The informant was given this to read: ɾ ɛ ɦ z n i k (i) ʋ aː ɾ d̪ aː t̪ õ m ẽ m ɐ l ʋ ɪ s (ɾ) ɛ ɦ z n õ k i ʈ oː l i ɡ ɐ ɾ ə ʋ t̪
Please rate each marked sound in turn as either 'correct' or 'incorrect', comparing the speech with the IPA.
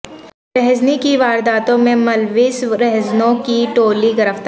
correct, correct

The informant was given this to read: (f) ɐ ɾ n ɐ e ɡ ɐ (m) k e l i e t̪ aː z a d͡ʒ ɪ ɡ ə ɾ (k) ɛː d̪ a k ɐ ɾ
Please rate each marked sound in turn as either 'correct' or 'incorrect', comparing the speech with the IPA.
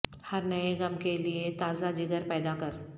incorrect, correct, incorrect

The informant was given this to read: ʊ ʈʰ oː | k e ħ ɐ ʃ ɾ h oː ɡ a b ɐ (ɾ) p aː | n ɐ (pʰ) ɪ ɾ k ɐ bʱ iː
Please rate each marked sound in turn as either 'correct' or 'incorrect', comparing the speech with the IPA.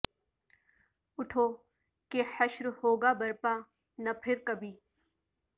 correct, correct

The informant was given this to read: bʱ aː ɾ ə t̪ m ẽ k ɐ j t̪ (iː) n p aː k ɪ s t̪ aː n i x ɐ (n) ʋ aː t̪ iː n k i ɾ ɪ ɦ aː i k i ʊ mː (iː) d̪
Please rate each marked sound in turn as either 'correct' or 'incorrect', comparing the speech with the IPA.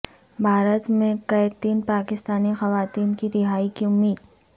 correct, incorrect, correct

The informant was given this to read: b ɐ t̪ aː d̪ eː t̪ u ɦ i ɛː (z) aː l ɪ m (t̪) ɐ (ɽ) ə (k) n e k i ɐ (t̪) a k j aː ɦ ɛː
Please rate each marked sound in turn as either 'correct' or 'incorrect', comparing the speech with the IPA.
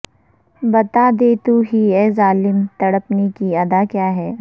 correct, correct, correct, incorrect, incorrect

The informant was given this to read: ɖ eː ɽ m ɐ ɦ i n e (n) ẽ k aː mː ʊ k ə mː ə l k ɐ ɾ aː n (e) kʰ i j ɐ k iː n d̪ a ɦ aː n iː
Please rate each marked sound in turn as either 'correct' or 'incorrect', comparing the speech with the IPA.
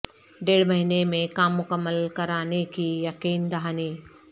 incorrect, correct

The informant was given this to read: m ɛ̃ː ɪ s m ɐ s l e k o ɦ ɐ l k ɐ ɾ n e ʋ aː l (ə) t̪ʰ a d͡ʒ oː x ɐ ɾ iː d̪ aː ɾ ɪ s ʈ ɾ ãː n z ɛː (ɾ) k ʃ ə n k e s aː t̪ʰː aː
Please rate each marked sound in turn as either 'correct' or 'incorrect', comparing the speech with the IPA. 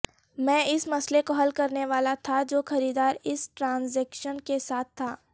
incorrect, incorrect

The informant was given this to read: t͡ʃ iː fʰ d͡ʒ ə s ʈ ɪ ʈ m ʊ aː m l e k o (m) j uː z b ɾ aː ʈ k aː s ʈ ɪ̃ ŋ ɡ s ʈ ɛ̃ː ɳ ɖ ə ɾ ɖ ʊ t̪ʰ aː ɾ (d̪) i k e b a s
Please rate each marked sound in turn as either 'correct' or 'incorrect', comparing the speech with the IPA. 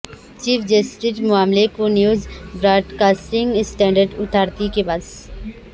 incorrect, incorrect

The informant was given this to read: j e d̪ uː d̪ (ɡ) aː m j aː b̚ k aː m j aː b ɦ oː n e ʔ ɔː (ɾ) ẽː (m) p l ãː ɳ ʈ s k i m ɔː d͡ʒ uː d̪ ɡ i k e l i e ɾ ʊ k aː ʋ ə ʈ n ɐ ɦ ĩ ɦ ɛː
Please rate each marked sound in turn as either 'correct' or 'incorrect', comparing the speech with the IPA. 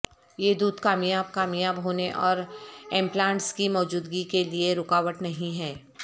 incorrect, correct, correct

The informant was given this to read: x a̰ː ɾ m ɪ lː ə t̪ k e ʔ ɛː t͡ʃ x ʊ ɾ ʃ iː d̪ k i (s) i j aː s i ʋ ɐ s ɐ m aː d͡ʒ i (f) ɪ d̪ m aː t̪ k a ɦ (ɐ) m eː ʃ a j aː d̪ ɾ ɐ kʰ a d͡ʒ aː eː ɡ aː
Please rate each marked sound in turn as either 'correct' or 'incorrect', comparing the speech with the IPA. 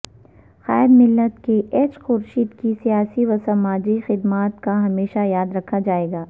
correct, incorrect, correct

